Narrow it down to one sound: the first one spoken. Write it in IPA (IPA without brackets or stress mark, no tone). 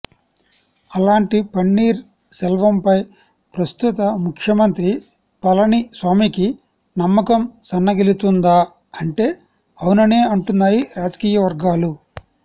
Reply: ɐ